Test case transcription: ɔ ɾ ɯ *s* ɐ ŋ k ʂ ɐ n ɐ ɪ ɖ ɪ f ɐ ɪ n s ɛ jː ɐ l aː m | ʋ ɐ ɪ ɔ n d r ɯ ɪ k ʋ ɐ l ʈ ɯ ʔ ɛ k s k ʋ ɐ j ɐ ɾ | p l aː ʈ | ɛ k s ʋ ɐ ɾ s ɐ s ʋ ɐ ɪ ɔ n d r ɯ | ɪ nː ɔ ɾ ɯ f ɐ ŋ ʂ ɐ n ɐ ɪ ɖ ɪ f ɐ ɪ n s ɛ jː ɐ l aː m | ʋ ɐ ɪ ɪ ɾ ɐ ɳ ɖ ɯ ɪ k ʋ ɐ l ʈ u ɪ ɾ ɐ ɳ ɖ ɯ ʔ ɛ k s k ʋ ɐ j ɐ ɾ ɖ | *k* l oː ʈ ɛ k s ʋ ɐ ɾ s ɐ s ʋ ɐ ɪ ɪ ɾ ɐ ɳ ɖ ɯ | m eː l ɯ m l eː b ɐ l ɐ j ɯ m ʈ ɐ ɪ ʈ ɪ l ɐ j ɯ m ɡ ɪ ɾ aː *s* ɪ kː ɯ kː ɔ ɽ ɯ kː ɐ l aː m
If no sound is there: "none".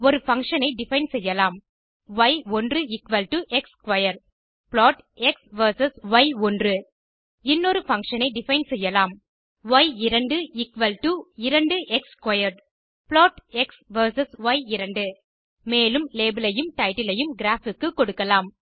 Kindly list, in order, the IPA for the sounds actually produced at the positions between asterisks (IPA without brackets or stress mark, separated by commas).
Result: f, p, f